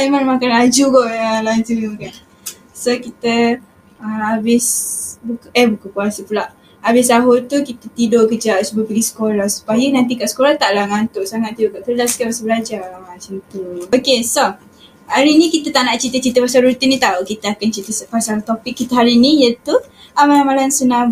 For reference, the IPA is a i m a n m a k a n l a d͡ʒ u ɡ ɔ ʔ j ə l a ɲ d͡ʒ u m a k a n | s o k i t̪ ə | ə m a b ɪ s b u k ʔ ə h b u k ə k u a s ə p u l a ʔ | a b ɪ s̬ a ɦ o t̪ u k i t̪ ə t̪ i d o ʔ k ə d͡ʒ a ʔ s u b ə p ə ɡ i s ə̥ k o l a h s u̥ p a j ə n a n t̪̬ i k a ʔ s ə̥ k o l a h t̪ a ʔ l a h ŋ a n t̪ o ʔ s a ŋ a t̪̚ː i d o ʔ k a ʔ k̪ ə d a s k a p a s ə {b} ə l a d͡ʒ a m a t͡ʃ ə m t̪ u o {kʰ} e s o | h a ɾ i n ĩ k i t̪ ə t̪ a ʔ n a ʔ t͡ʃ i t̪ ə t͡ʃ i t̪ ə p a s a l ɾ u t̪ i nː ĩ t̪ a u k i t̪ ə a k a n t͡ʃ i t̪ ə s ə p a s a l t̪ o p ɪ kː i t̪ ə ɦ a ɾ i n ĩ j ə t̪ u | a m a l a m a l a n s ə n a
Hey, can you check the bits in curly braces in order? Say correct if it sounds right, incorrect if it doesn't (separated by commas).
correct, incorrect